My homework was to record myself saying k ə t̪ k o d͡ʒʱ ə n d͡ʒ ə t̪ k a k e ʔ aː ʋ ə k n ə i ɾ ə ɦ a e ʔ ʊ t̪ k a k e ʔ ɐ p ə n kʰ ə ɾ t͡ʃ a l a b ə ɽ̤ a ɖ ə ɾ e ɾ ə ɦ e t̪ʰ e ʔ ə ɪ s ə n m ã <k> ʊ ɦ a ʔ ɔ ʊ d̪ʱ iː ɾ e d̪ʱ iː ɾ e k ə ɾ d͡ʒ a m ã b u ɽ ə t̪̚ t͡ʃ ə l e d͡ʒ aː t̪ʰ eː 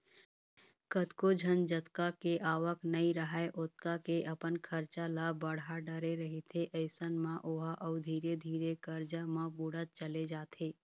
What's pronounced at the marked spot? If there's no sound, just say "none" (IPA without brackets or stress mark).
ʔ